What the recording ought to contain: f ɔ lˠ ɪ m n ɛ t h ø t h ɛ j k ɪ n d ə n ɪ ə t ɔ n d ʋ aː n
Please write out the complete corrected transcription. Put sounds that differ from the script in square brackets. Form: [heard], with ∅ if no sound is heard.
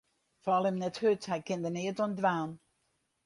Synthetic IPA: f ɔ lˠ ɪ m n ɛ t h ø t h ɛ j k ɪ n d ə n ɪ ə t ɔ n d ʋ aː n